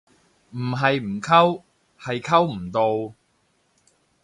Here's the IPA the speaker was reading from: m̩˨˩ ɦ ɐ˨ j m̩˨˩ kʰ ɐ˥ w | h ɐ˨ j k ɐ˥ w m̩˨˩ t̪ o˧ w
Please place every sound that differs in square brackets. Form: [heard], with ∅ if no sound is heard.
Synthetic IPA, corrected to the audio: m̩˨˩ ɦ ɐ˨ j m̩˨˩ kʰ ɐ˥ w | h ɐ˨ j [kʰ] ɐ˥ w m̩˨˩ t̪ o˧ w

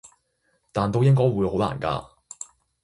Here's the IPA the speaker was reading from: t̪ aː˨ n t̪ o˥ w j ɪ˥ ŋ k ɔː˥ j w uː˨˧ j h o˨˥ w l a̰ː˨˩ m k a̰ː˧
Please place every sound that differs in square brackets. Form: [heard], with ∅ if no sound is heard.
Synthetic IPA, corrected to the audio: t̪ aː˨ n t̪ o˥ w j ɪ˥ ŋ k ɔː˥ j w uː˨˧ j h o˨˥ w l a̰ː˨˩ [n] k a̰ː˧

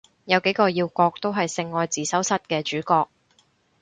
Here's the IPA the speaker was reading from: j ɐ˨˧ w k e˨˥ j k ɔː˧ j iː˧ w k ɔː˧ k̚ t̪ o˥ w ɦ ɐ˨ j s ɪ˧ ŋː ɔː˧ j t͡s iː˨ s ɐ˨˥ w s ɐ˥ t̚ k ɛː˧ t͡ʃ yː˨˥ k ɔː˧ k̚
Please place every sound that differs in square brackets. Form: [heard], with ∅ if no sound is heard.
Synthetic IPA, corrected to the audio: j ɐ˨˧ w k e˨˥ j k ɔː˧ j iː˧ w k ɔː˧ k̚ t̪ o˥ w ɦ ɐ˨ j s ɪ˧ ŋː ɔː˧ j t͡s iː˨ s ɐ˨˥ w s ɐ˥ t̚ k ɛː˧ t͡ʃ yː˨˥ k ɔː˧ k̚

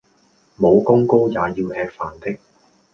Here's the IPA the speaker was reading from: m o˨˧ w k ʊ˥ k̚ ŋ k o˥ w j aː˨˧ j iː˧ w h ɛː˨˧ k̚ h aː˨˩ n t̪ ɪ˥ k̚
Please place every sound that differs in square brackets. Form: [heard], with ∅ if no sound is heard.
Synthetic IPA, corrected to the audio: m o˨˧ w k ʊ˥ [∅] ŋ k o˥ w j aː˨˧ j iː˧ w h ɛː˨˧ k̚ [f] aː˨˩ n t̪ ɪ˥ k̚

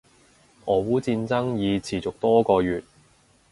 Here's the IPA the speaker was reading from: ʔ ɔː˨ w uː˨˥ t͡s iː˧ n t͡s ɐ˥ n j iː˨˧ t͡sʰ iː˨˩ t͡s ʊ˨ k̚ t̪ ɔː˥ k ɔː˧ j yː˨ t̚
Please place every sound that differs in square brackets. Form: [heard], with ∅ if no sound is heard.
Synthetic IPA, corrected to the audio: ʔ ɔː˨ w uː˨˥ t͡s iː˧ n t͡s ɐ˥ [ŋ] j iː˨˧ t͡sʰ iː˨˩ t͡s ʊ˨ k̚ t̪ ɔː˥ k ɔː˧ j yː˨ t̚

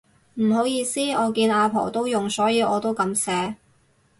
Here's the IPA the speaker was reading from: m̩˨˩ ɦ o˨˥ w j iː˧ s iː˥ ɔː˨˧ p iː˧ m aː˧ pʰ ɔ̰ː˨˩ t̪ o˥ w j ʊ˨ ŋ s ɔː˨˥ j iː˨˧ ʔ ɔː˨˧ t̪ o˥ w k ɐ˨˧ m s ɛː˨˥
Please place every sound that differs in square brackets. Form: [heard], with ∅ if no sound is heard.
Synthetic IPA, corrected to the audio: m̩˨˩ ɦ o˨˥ w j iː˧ s iː˥ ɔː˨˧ [k] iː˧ [n] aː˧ pʰ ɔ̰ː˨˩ t̪ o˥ w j ʊ˨ ŋ s ɔː˨˥ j iː˨˧ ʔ ɔː˨˧ t̪ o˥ w k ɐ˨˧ m s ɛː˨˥

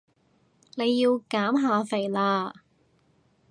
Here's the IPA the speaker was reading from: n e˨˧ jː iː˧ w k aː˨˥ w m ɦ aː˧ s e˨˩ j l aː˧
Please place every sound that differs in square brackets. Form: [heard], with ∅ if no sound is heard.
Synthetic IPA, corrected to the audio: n e˨˧ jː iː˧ w k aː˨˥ [∅] m ɦ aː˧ [f] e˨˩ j l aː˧

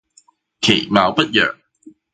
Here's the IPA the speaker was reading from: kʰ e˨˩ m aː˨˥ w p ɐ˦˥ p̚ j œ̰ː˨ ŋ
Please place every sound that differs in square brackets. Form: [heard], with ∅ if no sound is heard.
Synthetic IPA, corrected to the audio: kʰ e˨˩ m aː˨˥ w p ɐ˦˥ [t̚] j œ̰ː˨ ŋ

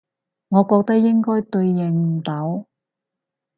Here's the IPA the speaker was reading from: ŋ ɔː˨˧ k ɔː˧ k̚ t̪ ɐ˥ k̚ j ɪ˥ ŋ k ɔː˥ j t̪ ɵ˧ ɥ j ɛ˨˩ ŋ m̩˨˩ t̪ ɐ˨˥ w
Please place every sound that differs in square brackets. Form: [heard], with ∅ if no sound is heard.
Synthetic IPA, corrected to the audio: ŋ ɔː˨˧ k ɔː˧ k̚ t̪ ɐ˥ k̚ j ɪ˥ ŋ k ɔː˥ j t̪ ɵ˧ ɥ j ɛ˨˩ ŋ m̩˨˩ t̪ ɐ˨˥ w

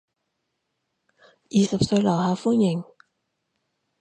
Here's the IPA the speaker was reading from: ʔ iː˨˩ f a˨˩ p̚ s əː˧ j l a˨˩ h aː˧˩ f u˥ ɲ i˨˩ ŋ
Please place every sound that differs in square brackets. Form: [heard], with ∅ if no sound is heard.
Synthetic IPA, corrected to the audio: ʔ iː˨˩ [s] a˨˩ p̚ s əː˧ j l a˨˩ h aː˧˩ f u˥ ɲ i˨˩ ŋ

